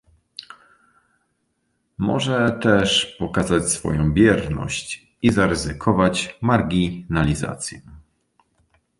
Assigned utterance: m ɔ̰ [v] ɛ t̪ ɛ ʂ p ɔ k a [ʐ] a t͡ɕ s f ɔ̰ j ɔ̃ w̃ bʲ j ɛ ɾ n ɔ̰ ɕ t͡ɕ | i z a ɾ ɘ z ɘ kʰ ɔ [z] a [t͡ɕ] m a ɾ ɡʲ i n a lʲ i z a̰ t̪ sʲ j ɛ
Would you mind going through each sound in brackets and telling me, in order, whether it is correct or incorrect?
incorrect: ʐ, incorrect: z, incorrect: v, correct

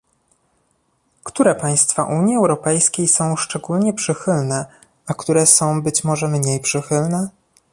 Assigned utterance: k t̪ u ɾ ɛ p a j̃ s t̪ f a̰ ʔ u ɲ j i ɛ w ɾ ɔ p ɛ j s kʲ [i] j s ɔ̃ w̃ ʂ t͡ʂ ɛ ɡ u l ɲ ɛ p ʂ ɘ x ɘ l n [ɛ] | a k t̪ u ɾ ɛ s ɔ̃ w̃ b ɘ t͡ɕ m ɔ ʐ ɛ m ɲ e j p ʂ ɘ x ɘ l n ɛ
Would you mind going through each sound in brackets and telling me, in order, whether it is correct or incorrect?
incorrect: e, correct

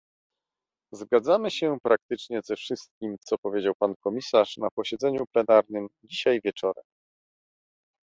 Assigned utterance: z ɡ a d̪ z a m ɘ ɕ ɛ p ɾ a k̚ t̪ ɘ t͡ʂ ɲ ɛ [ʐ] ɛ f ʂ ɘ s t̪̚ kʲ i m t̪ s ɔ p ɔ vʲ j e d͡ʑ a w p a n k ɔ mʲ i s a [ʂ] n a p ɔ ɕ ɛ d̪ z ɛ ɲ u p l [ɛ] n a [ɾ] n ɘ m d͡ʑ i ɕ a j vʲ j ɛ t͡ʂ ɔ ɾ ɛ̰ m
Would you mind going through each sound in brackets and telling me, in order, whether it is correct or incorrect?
incorrect: z, correct, correct, correct

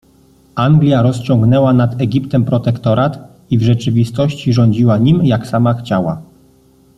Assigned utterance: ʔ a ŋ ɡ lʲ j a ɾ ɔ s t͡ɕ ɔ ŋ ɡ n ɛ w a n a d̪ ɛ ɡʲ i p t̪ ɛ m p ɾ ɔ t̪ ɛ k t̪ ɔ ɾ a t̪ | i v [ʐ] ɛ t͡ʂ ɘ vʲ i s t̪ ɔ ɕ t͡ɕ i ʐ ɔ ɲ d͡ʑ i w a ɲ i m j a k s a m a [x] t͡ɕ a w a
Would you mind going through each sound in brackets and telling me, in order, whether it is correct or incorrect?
correct, correct

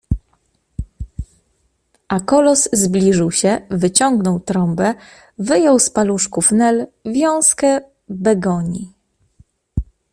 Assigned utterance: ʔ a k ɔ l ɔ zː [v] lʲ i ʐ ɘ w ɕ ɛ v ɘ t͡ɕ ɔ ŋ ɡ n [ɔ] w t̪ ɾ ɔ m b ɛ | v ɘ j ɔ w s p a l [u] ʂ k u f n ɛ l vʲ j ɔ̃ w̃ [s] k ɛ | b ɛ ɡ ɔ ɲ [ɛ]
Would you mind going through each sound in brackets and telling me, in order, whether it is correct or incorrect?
incorrect: b, correct, correct, correct, incorrect: i

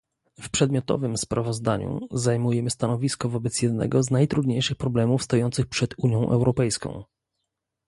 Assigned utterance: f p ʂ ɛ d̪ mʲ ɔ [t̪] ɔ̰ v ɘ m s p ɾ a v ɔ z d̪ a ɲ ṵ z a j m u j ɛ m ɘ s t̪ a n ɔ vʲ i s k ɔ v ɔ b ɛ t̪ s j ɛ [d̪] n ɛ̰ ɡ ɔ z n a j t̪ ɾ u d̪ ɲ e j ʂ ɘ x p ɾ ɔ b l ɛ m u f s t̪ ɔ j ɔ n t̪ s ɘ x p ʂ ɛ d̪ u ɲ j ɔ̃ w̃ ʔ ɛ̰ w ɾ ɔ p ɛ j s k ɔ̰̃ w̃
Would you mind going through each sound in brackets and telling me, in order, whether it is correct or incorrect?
correct, correct

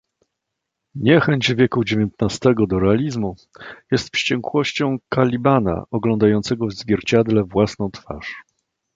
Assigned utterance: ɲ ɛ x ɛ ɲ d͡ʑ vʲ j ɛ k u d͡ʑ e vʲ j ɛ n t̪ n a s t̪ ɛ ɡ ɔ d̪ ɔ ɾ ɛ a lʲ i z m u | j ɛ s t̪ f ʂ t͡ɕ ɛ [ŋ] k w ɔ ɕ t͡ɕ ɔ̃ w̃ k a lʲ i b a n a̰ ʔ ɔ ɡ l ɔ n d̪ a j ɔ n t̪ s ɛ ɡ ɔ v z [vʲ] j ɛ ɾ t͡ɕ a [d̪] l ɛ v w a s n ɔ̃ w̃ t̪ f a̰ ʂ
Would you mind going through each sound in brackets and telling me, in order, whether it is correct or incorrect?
correct, correct, correct

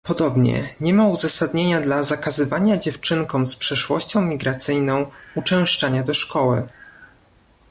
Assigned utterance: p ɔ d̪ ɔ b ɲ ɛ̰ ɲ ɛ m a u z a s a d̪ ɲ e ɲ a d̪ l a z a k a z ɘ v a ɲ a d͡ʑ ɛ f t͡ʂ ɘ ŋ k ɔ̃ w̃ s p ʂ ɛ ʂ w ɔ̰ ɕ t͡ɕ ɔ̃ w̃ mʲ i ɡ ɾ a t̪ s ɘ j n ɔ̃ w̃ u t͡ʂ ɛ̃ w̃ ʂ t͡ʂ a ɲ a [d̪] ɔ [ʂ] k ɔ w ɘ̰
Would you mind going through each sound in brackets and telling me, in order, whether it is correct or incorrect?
correct, correct

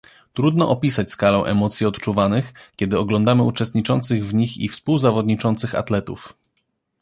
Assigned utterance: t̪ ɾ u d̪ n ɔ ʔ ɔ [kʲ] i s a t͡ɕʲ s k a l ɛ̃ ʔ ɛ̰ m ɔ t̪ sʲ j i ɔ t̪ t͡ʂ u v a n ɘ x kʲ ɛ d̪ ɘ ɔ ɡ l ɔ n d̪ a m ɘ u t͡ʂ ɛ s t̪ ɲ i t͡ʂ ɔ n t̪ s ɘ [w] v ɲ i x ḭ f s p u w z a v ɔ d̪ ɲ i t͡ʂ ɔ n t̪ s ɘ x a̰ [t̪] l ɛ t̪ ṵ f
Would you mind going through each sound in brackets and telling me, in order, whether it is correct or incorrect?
incorrect: pʲ, incorrect: ɣ, correct

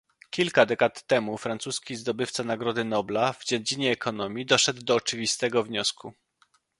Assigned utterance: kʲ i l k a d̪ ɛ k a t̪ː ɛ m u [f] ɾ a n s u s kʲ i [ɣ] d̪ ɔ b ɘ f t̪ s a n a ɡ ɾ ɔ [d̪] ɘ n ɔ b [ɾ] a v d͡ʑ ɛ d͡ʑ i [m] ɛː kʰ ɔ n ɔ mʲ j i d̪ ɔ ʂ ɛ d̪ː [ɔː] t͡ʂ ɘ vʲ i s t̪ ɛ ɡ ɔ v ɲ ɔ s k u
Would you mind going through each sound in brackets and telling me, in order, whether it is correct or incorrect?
correct, incorrect: z, correct, incorrect: l, incorrect: ɲ, correct

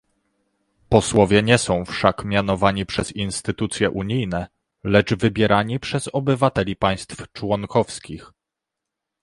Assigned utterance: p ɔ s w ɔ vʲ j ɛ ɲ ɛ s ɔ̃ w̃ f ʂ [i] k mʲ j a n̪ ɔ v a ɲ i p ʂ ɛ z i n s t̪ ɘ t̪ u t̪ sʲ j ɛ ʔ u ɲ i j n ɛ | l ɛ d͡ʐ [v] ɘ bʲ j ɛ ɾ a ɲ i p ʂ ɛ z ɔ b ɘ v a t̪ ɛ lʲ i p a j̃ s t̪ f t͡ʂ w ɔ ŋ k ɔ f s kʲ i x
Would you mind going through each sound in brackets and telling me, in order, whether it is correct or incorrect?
incorrect: a, correct

